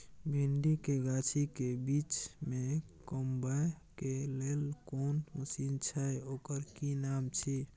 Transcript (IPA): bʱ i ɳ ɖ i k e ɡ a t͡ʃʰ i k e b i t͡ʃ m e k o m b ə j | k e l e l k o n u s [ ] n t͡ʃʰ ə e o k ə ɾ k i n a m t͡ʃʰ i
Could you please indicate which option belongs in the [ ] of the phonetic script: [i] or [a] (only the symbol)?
i